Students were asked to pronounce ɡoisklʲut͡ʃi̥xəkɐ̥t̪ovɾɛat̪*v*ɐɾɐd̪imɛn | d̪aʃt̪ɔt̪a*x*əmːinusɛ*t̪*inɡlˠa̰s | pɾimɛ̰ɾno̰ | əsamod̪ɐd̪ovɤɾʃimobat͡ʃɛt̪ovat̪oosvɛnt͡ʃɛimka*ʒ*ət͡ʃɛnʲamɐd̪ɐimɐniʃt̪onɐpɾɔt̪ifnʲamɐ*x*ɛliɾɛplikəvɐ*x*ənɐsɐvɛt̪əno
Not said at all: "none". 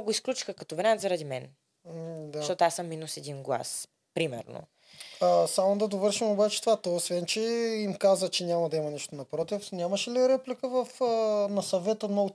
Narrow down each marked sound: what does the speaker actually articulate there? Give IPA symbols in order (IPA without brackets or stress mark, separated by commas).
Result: z, s, d̪, z, ʃ, f